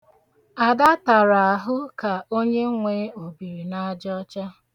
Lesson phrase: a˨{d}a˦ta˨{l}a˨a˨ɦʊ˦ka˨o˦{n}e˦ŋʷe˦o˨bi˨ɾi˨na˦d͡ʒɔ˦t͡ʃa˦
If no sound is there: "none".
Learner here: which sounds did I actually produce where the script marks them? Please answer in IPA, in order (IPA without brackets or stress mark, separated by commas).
d, ɾ, ɲ